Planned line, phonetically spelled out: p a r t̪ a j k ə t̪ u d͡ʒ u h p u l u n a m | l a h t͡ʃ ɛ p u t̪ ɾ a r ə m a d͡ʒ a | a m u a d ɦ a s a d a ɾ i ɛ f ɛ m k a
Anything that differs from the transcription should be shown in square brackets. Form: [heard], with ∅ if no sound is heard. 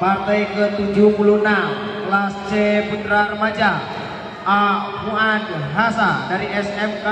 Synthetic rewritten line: p a r t̪ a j k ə t̪ u d͡ʒ u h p u l u n a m | l a [s] t͡ʃ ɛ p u t̪ ɾ a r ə m a d͡ʒ a | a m u a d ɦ a s a d a ɾ i ɛ [s] ɛ m k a

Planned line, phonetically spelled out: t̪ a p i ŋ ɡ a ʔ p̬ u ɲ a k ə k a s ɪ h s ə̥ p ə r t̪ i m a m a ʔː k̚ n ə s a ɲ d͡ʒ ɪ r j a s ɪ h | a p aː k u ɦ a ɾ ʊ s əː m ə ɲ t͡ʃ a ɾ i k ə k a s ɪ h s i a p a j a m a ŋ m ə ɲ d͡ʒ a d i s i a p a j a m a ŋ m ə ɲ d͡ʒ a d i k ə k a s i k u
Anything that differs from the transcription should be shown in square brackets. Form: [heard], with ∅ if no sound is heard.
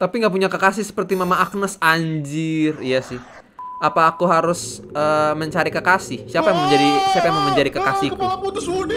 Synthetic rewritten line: t̪ a p i ŋ ɡ a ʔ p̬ u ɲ a k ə k a s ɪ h s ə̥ p ə r t̪ i m a m a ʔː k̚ n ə s a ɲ d͡ʒ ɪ r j a s ɪ h | a p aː k u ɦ a ɾ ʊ s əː m ə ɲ t͡ʃ a ɾ i k ə k a s ɪ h s i a p a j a m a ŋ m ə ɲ d͡ʒ a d i s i a p a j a m a ŋ m ə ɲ d͡ʒ a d i k ə k a s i k u

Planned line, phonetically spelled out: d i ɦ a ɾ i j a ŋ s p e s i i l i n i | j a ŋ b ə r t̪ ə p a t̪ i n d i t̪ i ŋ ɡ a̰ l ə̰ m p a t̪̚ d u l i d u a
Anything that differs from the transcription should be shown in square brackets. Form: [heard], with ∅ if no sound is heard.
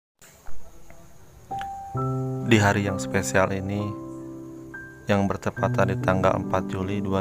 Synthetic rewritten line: d i ɦ a ɾ i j a ŋ s p e s i [a] l i n i | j a ŋ b ə r t̪ ə p a t̪ [a] n d i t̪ [a] ŋ ɡ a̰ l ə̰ m p a t̪̚ [d͡ʒ] u l i d u a

